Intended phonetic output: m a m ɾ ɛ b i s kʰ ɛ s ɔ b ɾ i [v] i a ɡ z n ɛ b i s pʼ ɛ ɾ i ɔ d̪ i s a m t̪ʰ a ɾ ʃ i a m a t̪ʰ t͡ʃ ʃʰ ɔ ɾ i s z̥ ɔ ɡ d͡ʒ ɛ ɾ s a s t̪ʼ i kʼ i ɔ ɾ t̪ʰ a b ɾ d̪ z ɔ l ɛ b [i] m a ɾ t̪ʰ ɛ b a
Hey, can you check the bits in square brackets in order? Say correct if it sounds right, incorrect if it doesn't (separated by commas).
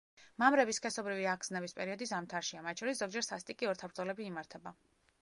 correct, incorrect